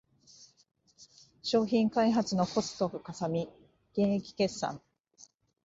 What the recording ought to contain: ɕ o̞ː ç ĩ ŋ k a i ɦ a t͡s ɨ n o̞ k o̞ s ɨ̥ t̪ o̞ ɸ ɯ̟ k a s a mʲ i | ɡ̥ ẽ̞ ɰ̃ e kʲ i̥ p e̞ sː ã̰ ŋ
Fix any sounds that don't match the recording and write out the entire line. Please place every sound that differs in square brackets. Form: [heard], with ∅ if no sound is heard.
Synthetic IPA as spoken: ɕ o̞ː ç ĩ ŋ k a i ɦ a t͡s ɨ n o̞ k o̞ s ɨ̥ t̪ o̞ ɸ ɯ̟ k a s a mʲ i | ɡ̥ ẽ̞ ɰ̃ e kʲ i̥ [k] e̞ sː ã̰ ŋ